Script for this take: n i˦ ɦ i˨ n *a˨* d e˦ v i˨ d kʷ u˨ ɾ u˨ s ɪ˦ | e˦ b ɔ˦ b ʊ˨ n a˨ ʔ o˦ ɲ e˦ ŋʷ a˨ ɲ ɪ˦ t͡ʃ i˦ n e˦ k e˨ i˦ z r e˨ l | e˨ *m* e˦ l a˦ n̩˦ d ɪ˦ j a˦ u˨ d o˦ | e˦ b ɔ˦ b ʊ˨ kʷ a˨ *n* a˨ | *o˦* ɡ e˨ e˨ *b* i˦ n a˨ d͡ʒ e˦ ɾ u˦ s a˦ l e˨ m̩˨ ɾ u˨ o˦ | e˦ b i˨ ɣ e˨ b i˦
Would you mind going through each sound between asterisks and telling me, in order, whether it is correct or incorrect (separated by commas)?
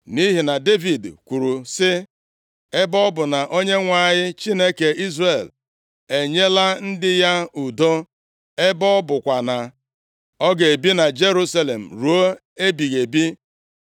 correct, incorrect, correct, incorrect, correct